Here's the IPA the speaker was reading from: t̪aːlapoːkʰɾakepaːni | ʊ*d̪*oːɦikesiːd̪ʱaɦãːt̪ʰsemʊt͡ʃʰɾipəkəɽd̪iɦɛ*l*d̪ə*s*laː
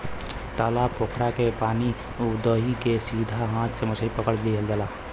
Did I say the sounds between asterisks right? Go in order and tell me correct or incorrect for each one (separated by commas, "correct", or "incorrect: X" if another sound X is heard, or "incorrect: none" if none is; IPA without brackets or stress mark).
correct, correct, incorrect: none